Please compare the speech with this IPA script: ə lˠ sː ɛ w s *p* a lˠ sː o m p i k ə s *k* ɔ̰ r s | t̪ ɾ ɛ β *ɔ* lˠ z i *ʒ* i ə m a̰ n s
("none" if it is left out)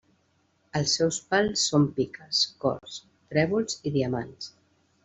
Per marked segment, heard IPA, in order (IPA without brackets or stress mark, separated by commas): p, k, u, ð